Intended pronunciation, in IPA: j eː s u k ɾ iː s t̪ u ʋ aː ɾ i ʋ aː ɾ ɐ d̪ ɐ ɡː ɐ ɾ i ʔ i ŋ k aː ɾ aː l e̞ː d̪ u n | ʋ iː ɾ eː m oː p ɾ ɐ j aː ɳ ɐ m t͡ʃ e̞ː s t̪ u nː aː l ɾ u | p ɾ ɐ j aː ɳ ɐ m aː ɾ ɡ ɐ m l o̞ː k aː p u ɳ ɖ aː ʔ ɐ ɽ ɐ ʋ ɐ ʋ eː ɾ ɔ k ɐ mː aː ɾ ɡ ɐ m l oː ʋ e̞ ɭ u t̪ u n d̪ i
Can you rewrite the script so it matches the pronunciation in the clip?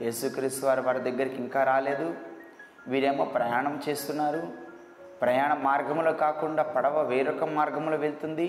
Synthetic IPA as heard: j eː s u k ɾ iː s t̪ u ʋ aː ɾ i ʋ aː ɾ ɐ d̪ ɐ ɡː ɐ ɾ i k i ŋ k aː ɾ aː l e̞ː d̪ u | ʋ iː ɾ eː m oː p ɾ ɐ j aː ɳ ɐ m t͡ʃ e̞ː s t̪ u nː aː ɾ u | p ɾ ɐ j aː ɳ ɐ m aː ɾ ɡ ɐ m l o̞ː k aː k u ɳ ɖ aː p ɐ ɽ ɐ ʋ ɐ ʋ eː ɾ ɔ k ɐ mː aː ɾ ɡ ɐ m l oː ʋ e̞ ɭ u t̪ u n d̪ i